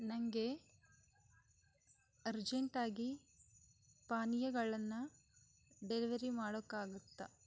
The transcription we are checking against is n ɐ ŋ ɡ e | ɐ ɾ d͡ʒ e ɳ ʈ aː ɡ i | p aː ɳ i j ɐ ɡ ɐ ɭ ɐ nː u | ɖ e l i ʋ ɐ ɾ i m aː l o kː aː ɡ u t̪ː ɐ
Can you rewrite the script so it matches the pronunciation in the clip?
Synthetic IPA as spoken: n ɐ ŋ ɡ e | ɐ ɾ d͡ʒ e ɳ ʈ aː ɡ i | p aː n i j ɐ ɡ ɐ ɭ ɐ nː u | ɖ e l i ʋ ɐ ɾ i m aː ɽ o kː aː ɡ u t̪ː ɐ